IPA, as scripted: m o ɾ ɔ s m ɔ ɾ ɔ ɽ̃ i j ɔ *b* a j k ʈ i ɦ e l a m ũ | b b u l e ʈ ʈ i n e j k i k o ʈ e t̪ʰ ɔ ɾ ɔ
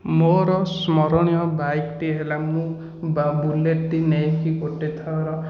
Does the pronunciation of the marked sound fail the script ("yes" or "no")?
no